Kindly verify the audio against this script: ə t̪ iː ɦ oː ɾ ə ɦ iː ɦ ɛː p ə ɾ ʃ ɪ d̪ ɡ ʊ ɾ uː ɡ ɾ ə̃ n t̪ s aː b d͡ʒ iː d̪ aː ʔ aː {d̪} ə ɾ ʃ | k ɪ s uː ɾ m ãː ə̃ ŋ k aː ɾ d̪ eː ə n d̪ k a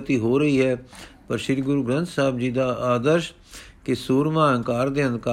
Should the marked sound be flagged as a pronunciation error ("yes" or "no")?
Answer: no